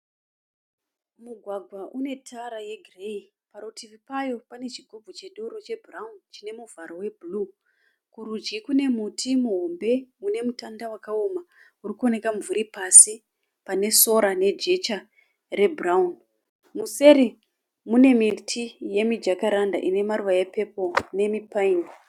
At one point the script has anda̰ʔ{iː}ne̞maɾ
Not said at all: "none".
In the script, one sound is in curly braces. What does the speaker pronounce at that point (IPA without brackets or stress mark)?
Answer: i